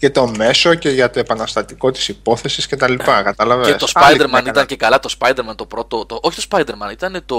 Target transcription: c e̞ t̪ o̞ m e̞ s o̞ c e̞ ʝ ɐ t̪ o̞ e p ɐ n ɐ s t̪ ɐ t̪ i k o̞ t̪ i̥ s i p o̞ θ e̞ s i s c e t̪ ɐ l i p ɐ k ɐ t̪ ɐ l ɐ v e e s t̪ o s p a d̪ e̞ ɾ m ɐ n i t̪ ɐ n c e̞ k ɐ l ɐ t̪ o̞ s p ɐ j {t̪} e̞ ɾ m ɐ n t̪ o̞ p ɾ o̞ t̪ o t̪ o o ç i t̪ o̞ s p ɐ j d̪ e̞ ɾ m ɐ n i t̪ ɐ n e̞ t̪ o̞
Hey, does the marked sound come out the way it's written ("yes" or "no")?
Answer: no